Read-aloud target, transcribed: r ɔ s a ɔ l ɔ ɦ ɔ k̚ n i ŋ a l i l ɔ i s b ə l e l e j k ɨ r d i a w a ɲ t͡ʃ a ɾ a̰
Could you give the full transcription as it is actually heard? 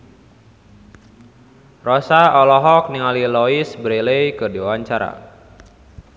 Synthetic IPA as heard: r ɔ s a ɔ l ɔ ɦ ɔ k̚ n i ŋ a l i l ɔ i s b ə ɾ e l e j k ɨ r d i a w a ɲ t͡ʃ a ɾ a̰